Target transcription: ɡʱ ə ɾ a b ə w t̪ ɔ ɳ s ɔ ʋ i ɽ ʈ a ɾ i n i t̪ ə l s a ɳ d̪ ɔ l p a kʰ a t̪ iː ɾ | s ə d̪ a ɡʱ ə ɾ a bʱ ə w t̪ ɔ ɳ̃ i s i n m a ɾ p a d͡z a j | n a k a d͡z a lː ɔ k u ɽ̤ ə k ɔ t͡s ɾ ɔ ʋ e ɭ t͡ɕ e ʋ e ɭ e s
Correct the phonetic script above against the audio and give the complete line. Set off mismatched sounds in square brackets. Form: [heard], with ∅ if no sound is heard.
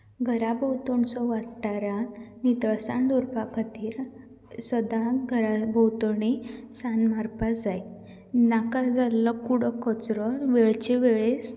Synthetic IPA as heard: ɡʱ ə ɾ a b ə w t̪ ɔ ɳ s ɔ ʋ [a] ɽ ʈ a ɾ [a] n i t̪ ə [ɭ] s a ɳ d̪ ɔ [ɾ] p a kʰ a t̪ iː ɾ | s ə d̪ a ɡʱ ə ɾ a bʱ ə w t̪ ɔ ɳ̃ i s [a] n m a ɾ p a d͡z a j | n a k a d͡z a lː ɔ k u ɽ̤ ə k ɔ t͡s ɾ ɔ ʋ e ɭ t͡ɕ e ʋ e ɭ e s